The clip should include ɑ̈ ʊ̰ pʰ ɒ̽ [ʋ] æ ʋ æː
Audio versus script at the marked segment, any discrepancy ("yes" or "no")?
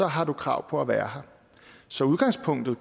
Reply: yes